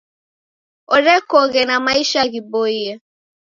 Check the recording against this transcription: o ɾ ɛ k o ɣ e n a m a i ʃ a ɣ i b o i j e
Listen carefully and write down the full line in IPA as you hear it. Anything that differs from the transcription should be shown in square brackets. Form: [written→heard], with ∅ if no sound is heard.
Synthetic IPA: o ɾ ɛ k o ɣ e n a m a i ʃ a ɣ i b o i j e